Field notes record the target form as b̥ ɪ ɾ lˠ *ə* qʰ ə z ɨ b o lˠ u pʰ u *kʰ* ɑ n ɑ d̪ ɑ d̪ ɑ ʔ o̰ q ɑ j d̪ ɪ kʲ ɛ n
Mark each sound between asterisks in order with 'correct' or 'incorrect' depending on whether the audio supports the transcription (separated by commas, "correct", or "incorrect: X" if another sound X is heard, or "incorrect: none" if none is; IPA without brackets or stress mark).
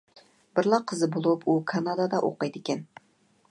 incorrect: ɑ, correct